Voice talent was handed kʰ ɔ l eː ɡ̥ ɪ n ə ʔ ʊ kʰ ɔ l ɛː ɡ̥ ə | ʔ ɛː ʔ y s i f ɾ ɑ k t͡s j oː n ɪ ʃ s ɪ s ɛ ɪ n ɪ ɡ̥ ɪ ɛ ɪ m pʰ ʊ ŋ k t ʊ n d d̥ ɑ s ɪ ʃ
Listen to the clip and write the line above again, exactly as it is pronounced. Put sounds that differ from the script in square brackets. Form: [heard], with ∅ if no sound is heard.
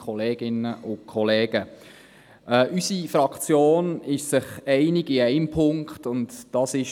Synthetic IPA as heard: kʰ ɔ l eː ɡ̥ ɪ n ə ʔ ʊ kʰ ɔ l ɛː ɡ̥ ə | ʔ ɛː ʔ y s i f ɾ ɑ k t͡s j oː n ɪ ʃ s ɪ [χ] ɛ ɪ n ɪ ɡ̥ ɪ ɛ ɪ m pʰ ʊ ŋ k t ʊ n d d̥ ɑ s ɪ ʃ